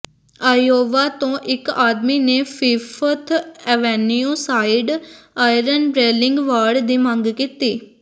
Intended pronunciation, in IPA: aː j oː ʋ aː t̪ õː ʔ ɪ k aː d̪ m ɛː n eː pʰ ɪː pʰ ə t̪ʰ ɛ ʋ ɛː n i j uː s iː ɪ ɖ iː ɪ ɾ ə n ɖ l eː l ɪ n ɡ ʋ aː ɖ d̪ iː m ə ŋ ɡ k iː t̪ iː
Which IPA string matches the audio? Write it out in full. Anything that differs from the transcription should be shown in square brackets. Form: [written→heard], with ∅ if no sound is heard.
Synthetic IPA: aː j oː ʋ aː t̪ õː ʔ ɪ k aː d̪ m [ɛː→iː] n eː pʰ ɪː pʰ ə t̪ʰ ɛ ʋ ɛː n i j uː s [iː→aː] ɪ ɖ [iː→aː] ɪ ɾ ə n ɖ [l→ɾ] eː l ɪ [n→ŋ] ɡ ʋ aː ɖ d̪ iː m ə ŋ ɡ k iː t̪ iː